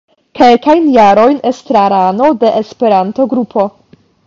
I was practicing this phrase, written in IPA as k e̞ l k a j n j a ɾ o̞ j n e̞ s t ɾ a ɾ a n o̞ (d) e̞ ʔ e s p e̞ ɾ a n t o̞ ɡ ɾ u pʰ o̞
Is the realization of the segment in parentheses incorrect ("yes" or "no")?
no